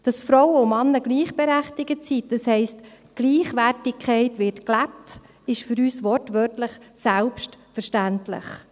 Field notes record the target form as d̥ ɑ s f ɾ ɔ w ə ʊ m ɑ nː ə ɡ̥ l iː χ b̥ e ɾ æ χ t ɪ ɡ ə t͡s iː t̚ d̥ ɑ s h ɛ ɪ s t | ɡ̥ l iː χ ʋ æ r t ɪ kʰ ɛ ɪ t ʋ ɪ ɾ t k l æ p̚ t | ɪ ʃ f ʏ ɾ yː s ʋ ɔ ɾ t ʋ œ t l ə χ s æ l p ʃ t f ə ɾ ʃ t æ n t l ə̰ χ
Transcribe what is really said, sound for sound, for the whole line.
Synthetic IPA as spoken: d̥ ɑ s f ɾ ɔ w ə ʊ m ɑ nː ə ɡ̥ l iː χ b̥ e ɾ æ χ t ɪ ɡ ə t͡s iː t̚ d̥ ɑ s h ɛ ɪ s t | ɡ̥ l iː χ ʋ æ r t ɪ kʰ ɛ ɪ t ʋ ɪ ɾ t k l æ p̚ t | ɪ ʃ f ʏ ɾ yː s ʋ ɔ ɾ t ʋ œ t l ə χ s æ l p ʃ t f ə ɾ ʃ t æ n t l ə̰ χ

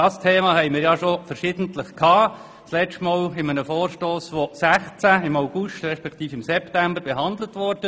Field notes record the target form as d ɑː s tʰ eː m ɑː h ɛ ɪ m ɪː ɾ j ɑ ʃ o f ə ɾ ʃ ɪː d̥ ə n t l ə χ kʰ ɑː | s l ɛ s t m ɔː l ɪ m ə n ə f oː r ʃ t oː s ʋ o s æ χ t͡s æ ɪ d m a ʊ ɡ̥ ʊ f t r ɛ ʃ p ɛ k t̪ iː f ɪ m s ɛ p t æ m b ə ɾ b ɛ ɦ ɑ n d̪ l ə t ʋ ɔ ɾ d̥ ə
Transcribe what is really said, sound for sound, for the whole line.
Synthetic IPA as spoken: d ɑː s tʰ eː m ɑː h ɛ ɪ m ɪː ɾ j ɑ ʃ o f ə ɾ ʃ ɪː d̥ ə n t l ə χ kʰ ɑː | s l ɛ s t m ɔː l ɪ m ə n ə f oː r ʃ t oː s ʋ o s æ χ t͡s æ ɪ m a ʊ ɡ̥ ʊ ʃ t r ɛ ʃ p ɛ k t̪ iː f ɪ m s ɛ p t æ m b ə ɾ b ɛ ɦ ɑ n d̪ l ə t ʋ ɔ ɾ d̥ ə

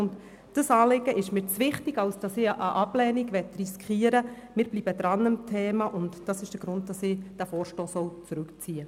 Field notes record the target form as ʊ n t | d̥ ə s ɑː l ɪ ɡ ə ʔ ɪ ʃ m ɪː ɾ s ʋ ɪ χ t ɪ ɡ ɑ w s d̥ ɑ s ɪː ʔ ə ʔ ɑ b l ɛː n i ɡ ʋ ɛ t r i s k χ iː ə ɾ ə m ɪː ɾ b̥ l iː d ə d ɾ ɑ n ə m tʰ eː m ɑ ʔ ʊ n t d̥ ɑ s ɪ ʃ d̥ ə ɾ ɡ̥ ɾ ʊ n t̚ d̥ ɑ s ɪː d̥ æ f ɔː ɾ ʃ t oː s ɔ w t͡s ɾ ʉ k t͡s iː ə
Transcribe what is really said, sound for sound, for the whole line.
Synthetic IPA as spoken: ʊ n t | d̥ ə s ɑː l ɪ ɡ ə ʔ ɪ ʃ m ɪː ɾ t͡s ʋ ɪ χ t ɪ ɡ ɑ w s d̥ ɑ s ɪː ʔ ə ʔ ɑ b l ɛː n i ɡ ʋ ɛ t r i s k χ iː ə ɾ ə m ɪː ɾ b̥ l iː b ə d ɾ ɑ n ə m tʰ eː m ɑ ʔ ʊ n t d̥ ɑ s ɪ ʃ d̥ ə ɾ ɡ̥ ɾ ʊ n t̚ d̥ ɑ s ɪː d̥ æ f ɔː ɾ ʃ t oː s ɔ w t͡s ɾ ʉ k t͡s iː ə

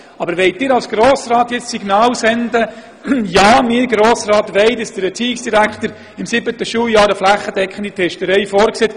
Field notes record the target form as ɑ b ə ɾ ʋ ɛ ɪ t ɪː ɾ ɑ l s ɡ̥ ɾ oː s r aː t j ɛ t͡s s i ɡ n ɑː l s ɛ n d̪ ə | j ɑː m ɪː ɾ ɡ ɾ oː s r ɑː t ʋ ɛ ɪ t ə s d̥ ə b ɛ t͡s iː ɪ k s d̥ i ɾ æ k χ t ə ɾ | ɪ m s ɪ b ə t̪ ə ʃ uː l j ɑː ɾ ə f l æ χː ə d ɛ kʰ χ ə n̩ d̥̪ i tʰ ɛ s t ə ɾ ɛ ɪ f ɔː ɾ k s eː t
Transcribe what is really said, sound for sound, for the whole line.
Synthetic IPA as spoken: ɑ b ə ɾ ʋ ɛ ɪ t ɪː ɾ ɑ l s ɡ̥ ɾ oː s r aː t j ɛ t͡s s i ɡ n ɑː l s ɛ n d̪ ə | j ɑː m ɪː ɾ ɡ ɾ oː s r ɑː t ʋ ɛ ɪ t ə s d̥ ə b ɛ t͡s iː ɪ k s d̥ i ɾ æ k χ t ə ɾ | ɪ m s ɪ b ə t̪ ə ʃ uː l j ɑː ɾ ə f l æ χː ə d ɛ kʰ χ ə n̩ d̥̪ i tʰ ɛ ʃ t ə ɾ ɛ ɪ f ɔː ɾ k s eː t

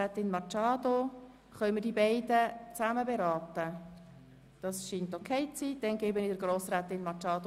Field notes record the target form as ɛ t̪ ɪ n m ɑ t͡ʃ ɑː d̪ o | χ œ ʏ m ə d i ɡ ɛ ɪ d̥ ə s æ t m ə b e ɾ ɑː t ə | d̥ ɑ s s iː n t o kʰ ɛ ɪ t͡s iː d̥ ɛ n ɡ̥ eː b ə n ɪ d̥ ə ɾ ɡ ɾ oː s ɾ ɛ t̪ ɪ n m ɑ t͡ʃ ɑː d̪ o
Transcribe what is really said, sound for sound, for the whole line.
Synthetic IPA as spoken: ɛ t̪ ɪ n m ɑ t͡ʃ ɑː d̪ o | χ œ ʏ m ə d i b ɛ ɪ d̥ ə t͡s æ m ə b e ɾ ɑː t ə | d̥ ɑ s ʃ iː n t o kʰ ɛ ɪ t͡s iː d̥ ɛ n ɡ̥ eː b ə n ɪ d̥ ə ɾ ɡ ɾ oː s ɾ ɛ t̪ ɪ n m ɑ t͡ʃ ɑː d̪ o

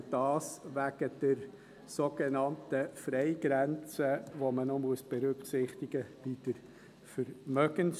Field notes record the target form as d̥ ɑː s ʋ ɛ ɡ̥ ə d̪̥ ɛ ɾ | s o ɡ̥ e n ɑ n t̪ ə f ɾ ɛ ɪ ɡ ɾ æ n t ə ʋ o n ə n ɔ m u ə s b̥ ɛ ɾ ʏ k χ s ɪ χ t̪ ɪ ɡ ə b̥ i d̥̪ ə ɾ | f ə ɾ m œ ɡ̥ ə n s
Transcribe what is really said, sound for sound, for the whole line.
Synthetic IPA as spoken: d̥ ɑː s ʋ æ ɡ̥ ə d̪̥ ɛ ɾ | s o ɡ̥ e n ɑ n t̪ ə f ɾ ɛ ɪ ɡ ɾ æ n t͡s ə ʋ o m ə n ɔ m u ə s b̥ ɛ ɾ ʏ k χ s ɪ χ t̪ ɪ ɡ ə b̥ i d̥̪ ə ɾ | f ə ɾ m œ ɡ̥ ə n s

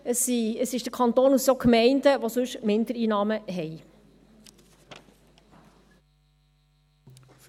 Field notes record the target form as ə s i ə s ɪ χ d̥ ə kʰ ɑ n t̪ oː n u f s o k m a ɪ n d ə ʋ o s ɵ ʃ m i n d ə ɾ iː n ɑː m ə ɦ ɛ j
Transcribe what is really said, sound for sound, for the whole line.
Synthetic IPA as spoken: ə s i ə s ɪ ʃ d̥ ə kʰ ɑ n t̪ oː n u s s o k m ɛ ɪ n d ə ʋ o s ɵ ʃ m ɪ n d ə ɾ iː n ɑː m ə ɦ ɛ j

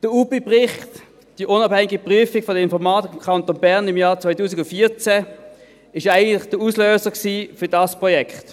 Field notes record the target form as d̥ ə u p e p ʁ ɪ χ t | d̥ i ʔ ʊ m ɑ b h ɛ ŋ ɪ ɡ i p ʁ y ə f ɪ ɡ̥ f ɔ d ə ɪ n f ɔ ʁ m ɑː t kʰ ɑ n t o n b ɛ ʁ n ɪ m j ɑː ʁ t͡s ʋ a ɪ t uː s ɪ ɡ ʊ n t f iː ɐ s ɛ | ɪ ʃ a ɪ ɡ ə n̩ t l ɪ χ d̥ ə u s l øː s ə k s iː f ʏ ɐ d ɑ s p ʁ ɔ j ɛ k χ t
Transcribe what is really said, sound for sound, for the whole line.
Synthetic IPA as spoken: d̥ ə u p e p ʁ ɪ χ t | d̥ i ʔ ʊ n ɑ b h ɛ ŋ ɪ ɡ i p ʁ y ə f ɪ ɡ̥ f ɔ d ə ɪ n f ɔ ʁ m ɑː t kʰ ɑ n t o n b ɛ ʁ n ɪ m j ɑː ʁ t͡s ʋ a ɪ t uː s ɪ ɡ ʊ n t f iː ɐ t͡s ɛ | ɪ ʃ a ɪ ɡ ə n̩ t l ɪ χ d̥ ə u s l øː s ə k s iː f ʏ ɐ d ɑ s p ʁ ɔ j ɛ k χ t

